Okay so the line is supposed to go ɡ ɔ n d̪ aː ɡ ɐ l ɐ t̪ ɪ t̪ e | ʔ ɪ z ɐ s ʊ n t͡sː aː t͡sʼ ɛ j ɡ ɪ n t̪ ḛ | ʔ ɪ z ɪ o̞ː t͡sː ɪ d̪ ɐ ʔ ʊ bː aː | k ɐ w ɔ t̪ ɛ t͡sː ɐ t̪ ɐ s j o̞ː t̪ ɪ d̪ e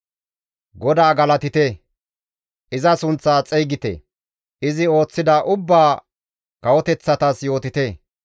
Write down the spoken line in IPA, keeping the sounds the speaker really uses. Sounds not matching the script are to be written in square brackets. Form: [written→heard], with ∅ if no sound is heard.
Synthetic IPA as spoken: ɡ ɔ [n→∅] d̪ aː ɡ ɐ l ɐ t̪ ɪ t̪ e | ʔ ɪ z ɐ s ʊ n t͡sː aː t͡sʼ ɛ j ɡ ɪ [n→∅] t̪ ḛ | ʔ ɪ z ɪ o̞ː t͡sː ɪ d̪ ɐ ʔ ʊ bː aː | k ɐ w ɔ t̪ ɛ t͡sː ɐ t̪ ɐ s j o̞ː t̪ ɪ [d̪→t̪] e